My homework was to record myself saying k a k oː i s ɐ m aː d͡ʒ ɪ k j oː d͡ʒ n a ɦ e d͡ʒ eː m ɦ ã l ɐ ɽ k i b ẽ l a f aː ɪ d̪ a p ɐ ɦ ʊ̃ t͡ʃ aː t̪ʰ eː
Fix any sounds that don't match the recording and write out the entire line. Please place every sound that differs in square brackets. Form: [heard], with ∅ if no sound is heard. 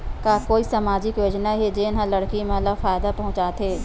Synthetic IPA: k a k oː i s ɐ m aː d͡ʒ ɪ k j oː d͡ʒ n a ɦ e d͡ʒ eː [n] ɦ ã l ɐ ɽ k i [m] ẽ l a f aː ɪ d̪ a p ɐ ɦ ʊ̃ t͡ʃ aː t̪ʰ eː